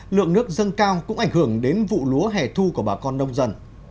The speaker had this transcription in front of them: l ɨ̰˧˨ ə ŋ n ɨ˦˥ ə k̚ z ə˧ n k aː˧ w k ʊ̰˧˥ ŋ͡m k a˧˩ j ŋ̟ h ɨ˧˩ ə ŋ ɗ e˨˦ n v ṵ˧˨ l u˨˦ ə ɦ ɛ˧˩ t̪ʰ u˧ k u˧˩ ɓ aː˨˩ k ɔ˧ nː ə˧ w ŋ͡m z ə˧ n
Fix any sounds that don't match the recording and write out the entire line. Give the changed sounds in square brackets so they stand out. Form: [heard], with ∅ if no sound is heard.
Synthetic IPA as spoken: l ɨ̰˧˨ ə ŋ n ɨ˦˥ ə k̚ z ə˧ n k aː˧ w k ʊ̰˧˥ ŋ͡m [ʔ] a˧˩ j ŋ̟ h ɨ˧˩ ə ŋ ɗ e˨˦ n v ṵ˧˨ l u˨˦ ə ɦ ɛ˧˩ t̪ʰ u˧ k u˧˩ ɓ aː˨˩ k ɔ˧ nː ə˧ w ŋ͡m z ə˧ n